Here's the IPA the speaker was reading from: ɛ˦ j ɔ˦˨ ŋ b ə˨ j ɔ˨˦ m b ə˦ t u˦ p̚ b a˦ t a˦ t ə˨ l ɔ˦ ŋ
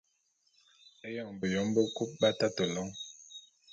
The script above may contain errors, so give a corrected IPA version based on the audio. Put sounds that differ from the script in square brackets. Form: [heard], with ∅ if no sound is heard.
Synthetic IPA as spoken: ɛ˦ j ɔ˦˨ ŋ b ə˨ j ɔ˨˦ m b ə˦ [k] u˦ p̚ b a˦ t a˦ t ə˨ l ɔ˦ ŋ